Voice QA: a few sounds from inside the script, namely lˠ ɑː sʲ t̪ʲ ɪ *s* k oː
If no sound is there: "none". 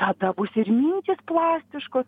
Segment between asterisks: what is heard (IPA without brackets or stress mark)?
ʃ